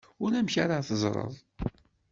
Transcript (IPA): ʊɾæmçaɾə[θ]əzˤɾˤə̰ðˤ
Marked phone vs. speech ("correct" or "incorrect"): correct